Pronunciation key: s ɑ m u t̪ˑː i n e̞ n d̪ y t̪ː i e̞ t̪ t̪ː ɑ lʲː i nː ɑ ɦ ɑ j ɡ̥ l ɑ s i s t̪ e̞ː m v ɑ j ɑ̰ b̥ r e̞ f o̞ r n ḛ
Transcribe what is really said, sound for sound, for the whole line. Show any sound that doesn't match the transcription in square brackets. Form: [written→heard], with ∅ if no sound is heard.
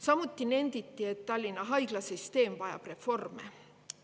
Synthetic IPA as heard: s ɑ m u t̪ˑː i n e̞ n d̪ [y→i] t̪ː i e̞ t̪ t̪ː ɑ lʲː i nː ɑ ɦ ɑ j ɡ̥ l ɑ s i s t̪ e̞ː m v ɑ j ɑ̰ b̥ r e̞ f o̞ r [n→m] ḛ